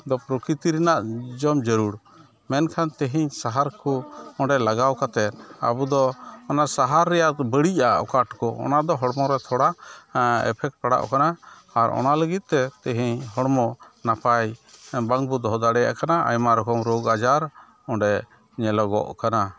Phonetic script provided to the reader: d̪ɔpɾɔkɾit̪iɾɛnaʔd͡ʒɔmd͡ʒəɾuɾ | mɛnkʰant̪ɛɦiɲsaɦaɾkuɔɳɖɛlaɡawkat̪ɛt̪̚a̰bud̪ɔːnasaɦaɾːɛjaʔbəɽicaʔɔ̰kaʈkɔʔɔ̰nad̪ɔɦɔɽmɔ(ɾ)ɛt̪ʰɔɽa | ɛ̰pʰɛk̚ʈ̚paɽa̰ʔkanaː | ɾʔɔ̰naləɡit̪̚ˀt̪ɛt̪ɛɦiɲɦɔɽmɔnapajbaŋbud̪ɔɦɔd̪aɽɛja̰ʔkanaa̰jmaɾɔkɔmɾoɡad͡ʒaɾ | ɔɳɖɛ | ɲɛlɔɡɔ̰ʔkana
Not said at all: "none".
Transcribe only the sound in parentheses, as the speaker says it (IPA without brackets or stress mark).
ɾ